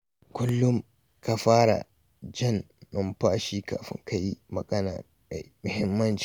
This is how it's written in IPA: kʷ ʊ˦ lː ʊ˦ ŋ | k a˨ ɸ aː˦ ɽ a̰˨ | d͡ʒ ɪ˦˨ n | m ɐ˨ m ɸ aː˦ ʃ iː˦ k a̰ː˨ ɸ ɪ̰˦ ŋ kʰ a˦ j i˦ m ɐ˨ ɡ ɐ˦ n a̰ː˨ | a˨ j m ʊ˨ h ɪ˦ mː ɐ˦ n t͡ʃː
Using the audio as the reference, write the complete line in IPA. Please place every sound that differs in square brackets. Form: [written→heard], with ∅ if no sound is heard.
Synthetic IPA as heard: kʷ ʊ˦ lː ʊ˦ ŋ | k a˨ ɸ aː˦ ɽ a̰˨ | d͡ʒ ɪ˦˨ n | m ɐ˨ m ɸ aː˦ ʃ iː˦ k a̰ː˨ ɸ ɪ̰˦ ŋ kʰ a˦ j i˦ m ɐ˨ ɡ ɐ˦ n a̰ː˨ | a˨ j m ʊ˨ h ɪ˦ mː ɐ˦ n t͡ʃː